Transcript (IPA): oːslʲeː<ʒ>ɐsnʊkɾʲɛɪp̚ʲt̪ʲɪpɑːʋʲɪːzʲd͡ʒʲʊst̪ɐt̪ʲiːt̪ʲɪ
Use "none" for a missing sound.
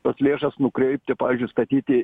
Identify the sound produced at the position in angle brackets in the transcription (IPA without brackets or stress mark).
ʃ